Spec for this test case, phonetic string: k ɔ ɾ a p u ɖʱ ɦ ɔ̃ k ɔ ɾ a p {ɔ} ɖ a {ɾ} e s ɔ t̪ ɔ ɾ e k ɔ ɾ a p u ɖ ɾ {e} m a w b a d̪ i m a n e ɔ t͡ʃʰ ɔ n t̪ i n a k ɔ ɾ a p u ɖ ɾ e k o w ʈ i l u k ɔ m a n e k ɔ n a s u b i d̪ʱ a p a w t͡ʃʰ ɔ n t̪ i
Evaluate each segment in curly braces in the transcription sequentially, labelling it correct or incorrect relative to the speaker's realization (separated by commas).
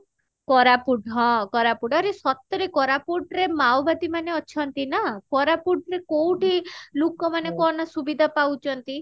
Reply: incorrect, correct, correct